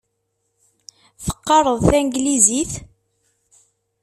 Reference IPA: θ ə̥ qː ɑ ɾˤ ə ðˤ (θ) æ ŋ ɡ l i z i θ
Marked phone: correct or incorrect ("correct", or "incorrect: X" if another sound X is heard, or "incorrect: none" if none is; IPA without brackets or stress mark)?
correct